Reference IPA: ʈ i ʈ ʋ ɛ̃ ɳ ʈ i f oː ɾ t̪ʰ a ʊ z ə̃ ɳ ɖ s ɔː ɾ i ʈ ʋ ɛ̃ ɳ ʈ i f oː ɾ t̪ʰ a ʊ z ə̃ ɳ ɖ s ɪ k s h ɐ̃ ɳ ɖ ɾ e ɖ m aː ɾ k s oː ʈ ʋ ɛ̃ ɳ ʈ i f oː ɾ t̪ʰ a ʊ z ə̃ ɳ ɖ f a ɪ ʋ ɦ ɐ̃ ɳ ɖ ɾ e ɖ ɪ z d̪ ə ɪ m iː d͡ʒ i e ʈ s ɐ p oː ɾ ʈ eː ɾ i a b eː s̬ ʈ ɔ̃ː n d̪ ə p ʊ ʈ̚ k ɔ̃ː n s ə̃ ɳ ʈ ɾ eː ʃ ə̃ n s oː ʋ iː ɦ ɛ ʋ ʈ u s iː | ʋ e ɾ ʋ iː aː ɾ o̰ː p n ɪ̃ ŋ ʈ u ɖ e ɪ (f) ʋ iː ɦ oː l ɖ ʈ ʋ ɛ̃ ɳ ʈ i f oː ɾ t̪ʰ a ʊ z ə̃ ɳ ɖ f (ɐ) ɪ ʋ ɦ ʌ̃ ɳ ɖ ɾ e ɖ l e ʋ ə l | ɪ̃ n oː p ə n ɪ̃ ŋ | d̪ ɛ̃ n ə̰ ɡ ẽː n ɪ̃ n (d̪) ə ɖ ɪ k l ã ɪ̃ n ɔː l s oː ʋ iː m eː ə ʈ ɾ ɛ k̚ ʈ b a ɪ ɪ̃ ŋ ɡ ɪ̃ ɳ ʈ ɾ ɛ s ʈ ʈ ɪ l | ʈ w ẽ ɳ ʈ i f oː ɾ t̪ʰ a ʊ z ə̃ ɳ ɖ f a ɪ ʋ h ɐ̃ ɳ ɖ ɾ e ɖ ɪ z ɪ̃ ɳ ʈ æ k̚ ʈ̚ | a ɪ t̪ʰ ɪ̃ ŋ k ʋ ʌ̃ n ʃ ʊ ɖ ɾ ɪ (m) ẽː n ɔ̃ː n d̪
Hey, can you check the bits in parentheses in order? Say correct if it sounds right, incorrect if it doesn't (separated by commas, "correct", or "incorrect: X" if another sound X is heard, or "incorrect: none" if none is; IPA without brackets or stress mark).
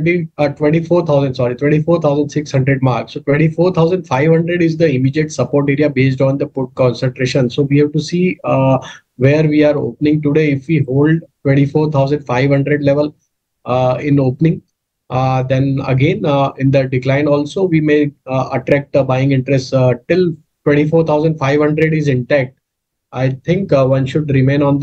correct, incorrect: a, correct, correct